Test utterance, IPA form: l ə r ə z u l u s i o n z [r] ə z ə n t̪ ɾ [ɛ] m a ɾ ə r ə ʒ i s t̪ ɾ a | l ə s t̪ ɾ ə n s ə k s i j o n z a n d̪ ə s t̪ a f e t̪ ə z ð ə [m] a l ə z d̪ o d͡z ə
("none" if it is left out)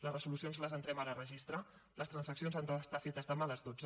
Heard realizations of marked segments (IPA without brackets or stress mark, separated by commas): l, ɛ, m